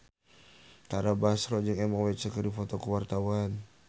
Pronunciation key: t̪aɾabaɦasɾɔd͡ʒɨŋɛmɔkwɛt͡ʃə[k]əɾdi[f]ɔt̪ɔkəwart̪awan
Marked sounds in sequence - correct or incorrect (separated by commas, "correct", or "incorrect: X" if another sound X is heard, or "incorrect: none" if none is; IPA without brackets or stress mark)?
correct, correct